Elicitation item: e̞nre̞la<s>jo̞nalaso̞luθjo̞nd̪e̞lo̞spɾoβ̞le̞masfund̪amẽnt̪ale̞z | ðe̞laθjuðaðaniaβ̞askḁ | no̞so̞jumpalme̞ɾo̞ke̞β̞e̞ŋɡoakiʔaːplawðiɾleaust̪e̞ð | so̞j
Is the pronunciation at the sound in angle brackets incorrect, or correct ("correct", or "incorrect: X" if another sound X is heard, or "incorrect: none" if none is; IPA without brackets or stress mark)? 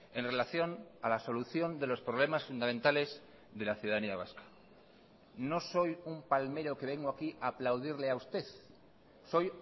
incorrect: θ